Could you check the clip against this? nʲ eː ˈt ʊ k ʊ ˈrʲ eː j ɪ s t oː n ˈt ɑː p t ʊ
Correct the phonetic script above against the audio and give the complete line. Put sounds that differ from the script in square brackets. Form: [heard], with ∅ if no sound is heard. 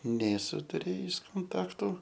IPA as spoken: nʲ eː [ˈs] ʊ [t] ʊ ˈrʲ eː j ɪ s [k] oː n ˈt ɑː [k] t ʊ